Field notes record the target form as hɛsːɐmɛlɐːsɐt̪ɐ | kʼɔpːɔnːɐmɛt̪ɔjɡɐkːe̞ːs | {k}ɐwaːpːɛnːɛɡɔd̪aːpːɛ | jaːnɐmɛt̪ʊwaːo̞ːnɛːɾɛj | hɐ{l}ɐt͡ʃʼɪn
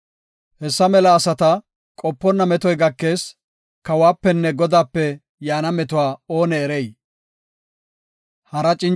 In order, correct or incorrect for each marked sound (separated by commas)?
correct, incorrect